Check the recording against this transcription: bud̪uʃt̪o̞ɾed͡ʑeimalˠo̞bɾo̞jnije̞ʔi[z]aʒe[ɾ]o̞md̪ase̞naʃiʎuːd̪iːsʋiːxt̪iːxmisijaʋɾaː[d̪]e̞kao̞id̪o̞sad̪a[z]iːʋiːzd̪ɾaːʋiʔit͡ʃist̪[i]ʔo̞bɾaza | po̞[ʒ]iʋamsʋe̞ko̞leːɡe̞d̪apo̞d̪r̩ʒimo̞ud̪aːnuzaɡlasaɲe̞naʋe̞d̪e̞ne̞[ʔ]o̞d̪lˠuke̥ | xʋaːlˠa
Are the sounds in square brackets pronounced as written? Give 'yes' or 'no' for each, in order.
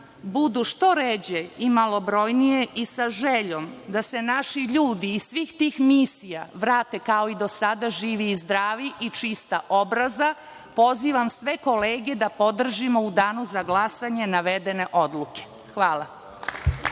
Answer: no, no, no, no, no, no, yes

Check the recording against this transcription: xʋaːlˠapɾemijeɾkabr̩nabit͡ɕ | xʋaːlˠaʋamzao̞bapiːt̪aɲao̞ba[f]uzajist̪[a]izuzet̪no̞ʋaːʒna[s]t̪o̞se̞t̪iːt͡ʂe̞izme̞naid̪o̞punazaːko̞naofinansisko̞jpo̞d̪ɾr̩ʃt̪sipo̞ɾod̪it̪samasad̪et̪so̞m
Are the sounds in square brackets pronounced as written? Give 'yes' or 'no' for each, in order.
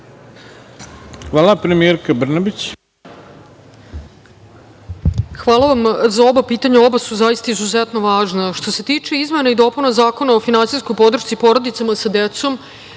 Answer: no, yes, no

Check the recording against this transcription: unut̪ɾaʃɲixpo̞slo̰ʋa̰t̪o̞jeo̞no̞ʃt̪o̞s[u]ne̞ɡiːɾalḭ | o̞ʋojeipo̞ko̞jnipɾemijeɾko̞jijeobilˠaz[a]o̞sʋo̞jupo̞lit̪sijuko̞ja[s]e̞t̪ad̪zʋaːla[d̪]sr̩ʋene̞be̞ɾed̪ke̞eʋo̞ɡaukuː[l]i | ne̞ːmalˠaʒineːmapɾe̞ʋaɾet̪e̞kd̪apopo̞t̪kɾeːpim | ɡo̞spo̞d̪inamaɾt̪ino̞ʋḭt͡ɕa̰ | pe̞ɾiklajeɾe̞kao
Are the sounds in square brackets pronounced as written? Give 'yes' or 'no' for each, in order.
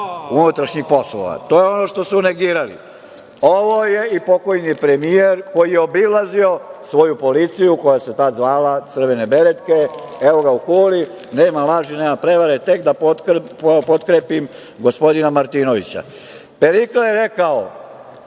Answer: yes, no, yes, no, yes

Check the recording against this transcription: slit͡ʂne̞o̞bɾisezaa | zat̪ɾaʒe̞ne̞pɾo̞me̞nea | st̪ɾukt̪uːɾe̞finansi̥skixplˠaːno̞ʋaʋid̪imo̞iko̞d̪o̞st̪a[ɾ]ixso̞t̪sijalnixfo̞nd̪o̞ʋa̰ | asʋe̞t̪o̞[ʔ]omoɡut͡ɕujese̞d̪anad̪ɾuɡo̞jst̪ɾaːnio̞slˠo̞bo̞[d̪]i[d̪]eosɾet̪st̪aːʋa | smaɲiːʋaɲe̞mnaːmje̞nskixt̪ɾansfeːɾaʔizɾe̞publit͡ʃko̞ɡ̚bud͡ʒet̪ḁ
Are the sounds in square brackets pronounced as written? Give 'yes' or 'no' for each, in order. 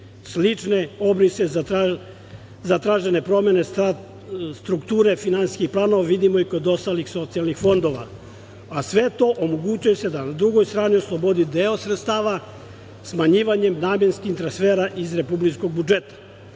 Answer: no, yes, yes, yes

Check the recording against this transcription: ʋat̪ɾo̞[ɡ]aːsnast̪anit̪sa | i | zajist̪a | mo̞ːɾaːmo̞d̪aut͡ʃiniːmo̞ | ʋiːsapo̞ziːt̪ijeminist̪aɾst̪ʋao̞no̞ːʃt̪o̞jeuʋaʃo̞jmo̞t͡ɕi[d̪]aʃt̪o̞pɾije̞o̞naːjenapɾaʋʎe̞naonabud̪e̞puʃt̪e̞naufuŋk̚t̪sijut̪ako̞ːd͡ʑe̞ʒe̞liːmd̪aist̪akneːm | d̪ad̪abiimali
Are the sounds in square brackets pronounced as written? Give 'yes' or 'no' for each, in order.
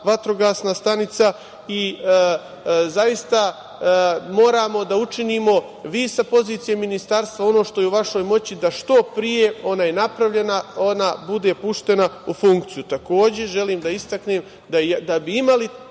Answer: yes, yes

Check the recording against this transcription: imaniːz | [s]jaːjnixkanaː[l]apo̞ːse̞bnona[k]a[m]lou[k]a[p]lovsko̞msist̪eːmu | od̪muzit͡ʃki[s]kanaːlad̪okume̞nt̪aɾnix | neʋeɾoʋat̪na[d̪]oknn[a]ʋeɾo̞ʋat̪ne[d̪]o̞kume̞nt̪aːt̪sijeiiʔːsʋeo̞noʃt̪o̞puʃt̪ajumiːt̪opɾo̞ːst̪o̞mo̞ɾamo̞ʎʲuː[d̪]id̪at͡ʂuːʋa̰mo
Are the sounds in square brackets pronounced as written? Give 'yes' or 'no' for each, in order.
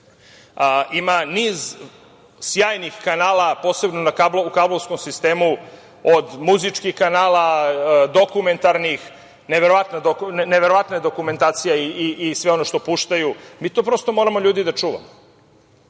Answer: yes, yes, yes, no, yes, no, no, yes, no, yes, yes

